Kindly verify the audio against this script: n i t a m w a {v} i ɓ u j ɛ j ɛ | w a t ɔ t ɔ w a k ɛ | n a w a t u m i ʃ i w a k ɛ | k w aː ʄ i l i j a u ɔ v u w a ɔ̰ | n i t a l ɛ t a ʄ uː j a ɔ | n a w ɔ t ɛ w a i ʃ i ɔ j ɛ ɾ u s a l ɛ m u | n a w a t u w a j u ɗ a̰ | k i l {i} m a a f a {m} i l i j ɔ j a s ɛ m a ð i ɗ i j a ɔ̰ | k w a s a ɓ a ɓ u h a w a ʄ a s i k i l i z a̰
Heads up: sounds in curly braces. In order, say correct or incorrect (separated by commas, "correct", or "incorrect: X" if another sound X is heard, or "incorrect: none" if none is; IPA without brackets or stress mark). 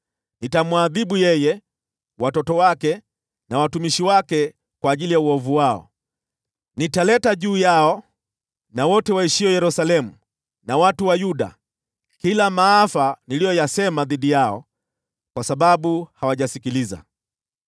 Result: incorrect: ð, incorrect: a, incorrect: n